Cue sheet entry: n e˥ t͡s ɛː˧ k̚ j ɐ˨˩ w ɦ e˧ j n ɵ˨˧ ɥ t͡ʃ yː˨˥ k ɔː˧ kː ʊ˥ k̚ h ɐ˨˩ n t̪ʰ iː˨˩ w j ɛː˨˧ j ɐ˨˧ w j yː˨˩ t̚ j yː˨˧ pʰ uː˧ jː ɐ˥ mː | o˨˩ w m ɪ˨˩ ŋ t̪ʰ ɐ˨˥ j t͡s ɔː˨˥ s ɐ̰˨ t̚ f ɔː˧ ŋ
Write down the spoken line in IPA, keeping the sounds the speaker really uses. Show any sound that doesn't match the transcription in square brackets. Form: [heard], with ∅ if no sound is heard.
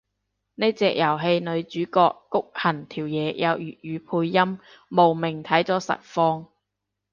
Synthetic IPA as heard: n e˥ t͡s ɛː˧ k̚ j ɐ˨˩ w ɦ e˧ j n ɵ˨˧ ɥ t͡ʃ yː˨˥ k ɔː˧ kː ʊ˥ k̚ h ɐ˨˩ n t̪ʰ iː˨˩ w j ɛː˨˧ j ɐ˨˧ w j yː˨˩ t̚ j yː˨˧ pʰ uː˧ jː ɐ˥ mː | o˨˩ w m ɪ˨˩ ŋ t̪ʰ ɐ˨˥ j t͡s ɔː˨˥ s ɐ̰˨ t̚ f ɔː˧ ŋ